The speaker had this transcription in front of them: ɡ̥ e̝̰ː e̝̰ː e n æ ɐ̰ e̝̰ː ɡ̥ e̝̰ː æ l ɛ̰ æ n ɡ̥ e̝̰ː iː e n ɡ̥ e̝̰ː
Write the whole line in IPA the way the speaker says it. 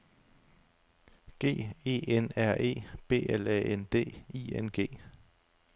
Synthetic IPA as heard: ɡ̥ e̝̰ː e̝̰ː e n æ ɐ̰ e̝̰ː b̥ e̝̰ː e l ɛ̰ e n d̥ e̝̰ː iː e n ɡ̥ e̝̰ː